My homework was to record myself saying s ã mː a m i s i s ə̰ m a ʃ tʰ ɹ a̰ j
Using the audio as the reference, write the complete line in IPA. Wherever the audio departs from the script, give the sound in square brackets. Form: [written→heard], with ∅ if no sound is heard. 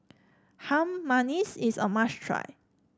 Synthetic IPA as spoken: [s→h] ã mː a [m→n] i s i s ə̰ m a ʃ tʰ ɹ a̰ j